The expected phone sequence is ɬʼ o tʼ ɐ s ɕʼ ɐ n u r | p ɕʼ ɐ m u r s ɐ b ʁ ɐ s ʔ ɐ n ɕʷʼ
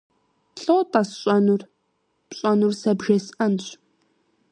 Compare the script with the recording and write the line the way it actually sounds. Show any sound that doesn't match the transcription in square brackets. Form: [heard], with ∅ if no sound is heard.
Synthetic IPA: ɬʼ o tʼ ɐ s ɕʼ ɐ n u r | p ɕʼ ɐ [n] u r s ɐ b [ʒ] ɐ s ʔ ɐ n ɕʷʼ